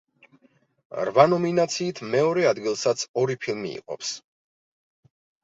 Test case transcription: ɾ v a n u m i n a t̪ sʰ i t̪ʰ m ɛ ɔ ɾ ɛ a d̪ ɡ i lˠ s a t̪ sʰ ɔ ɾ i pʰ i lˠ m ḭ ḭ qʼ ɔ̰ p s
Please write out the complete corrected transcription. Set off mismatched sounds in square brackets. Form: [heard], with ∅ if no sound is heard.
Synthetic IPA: ɾ v a n [ɔ] m i n a t̪ sʰ [iː] t̪ʰ m ɛ ɔ ɾ ɛ a d̪ ɡ i lˠ s a t̪ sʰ ɔ ɾ i pʰ i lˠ m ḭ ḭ qʼ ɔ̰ p s